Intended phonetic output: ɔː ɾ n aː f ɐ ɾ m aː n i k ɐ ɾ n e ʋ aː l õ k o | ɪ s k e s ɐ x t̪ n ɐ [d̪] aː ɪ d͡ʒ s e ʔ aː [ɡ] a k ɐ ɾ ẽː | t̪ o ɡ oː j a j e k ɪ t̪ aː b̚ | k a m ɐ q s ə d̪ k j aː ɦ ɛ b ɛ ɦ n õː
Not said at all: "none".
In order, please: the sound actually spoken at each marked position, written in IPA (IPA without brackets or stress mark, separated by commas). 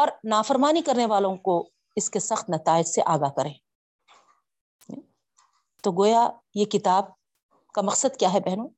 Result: t̪, ɡ